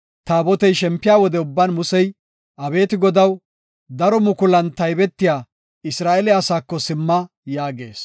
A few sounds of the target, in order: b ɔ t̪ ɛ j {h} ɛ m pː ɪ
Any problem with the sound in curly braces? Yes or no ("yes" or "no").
yes